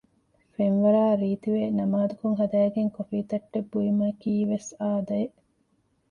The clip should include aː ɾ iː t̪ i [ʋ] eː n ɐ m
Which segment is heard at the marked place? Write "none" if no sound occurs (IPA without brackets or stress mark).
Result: ʋ